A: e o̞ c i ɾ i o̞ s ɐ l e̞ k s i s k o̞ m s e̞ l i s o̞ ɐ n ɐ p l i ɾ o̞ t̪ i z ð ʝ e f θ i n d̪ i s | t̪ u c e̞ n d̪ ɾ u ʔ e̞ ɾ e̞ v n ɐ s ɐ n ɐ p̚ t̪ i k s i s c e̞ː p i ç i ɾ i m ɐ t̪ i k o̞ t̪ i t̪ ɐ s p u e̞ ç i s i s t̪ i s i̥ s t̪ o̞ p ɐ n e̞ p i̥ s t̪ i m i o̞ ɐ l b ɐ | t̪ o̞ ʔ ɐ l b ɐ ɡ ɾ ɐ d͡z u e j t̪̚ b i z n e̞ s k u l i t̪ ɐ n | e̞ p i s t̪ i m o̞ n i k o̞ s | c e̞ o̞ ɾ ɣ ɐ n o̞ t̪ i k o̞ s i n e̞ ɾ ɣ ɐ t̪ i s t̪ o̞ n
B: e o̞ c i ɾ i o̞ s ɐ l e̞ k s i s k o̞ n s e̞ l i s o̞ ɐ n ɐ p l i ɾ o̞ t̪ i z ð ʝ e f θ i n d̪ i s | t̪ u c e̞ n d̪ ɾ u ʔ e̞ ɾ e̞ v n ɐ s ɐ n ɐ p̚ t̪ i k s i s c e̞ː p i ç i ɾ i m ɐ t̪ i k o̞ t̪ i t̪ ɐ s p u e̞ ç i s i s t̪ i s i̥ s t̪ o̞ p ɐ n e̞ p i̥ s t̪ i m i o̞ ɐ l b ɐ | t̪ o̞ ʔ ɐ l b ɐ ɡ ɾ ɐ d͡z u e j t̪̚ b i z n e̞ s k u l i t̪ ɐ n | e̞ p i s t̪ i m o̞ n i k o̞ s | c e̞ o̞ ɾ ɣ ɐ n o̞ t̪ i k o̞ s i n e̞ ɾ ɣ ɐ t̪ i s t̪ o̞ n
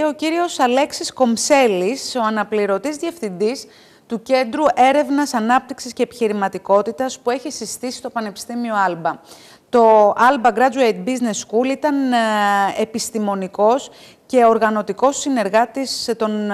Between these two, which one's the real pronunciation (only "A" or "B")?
A